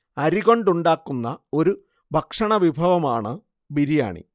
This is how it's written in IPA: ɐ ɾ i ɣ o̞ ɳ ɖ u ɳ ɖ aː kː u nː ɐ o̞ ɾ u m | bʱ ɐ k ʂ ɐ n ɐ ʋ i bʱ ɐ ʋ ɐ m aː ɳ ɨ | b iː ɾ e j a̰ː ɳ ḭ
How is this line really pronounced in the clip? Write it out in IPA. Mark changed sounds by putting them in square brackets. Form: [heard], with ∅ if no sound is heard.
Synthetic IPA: ɐ ɾ i ɣ o̞ ɳ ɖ u ɳ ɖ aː kː u nː ɐ o̞ ɾ u [∅] | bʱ ɐ k ʂ ɐ [ɳ] ɐ ʋ i bʱ ɐ ʋ ɐ m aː ɳ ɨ | b [i] ɾ [i] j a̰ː ɳ ḭ